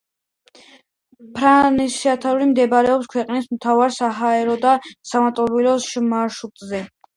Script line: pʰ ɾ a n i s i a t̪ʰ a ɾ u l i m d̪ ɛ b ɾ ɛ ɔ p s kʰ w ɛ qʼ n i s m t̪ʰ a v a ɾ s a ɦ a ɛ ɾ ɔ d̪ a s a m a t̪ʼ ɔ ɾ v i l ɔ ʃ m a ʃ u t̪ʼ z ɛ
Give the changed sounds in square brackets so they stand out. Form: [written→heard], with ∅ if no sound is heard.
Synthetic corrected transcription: pʰ ɾ a n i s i a t̪ʰ a ɾ u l i m d̪ ɛ b ɾ ɛ ɔ p s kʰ w ɛ qʼ n i s m t̪ʰ a v a ɾ s a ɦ a ɛ ɾ ɔ d̪ a s a m a t̪ʼ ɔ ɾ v i l ɔ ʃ m a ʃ u t̪ʼ z ɛ